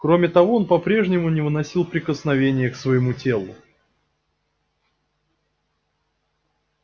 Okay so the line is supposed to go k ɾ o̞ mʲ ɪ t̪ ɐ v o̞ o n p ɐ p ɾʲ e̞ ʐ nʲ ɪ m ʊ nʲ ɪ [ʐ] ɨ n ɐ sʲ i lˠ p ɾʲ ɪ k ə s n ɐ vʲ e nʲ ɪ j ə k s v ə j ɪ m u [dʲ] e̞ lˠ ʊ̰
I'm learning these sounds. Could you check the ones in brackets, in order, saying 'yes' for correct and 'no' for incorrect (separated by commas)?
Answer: no, no